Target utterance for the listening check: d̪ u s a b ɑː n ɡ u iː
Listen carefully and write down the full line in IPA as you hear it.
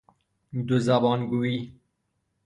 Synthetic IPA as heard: d̪ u z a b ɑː n ɡ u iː